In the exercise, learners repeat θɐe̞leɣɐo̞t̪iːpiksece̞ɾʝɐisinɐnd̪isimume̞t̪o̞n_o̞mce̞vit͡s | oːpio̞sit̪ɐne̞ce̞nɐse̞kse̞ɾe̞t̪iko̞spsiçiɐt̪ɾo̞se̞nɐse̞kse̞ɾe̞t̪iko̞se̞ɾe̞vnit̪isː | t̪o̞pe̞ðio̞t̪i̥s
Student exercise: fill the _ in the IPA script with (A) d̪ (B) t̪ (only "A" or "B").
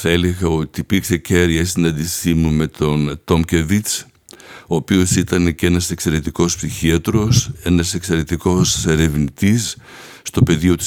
B